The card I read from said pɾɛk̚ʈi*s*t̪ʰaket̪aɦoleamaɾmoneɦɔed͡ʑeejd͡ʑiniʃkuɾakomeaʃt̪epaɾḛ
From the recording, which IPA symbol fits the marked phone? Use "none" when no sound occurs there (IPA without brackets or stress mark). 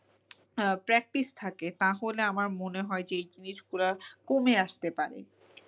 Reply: s